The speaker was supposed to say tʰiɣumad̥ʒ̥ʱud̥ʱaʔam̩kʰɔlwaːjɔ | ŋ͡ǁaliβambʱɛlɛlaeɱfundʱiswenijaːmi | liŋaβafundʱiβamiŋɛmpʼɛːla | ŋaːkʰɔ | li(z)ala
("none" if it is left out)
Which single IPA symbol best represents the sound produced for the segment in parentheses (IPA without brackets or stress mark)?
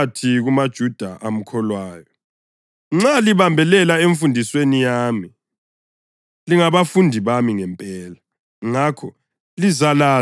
z